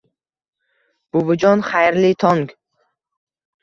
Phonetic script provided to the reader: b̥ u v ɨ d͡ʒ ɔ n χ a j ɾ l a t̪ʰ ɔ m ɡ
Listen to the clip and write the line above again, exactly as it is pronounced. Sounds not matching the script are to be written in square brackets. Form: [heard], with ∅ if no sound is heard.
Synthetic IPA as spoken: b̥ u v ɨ d͡ʒ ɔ n χ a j ɾ l [i] t̪ʰ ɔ [ŋ] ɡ